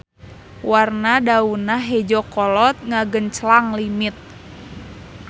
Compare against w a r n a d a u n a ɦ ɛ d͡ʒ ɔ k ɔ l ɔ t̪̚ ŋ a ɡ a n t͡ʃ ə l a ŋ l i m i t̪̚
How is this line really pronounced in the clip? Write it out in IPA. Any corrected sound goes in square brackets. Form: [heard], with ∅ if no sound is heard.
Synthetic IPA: w a r n a d a u n a ɦ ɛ d͡ʒ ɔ k ɔ l ɔ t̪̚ ŋ a ɡ [ə] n t͡ʃ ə l a ŋ l i m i t̪̚